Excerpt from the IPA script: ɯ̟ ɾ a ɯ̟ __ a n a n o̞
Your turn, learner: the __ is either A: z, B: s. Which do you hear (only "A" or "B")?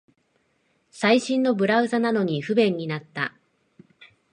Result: A